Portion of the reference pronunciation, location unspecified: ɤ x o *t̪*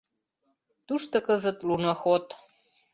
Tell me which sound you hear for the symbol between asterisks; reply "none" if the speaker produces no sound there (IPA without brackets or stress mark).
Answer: t̪